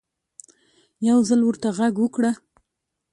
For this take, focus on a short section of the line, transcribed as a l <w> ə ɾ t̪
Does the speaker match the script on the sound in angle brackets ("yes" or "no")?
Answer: yes